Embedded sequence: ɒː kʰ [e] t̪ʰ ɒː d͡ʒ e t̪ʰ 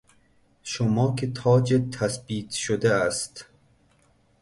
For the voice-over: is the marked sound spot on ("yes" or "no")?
yes